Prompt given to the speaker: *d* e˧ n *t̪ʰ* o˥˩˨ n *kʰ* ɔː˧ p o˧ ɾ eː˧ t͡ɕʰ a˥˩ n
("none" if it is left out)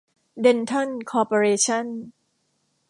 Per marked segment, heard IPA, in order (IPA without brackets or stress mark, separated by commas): d, t̪ʰ, kʰ